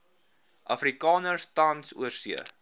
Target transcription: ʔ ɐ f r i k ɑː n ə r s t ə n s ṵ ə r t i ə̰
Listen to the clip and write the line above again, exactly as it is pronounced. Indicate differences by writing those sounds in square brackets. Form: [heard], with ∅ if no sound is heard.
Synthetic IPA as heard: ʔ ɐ f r i k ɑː n ə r s t [ɐ] n s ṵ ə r [s] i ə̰